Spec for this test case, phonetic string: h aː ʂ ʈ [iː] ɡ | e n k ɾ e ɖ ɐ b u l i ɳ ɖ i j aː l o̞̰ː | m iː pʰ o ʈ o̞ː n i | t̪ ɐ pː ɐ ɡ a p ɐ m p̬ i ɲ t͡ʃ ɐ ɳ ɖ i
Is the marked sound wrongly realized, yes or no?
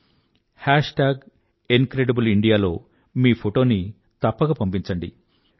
yes